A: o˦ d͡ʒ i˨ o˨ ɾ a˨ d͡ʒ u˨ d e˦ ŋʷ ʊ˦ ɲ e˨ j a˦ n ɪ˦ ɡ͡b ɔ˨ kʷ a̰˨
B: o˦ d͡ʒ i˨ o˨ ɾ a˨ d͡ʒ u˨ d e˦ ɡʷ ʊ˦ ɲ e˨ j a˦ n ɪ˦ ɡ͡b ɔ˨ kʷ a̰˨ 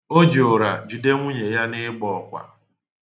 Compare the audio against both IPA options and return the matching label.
A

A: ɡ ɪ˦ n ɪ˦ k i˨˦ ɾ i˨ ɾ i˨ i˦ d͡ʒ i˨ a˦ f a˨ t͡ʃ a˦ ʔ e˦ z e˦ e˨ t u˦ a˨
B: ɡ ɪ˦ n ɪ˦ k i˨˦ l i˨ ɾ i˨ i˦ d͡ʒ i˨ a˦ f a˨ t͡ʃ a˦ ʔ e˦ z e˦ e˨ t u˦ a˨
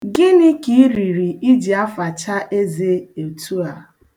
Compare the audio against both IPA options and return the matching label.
A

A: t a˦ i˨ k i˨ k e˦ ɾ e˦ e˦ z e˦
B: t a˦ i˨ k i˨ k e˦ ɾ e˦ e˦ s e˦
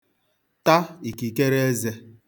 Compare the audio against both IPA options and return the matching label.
A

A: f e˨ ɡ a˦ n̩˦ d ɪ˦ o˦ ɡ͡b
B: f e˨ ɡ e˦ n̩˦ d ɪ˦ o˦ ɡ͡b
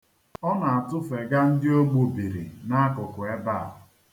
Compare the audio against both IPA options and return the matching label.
A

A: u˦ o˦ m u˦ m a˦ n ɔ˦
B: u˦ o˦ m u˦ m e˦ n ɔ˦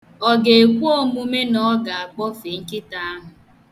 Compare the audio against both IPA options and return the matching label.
B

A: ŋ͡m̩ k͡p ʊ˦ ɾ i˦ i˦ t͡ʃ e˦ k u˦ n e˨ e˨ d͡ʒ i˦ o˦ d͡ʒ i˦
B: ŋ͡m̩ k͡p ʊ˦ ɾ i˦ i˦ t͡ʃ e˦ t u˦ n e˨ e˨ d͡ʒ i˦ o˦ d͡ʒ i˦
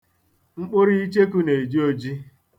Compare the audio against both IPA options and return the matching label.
A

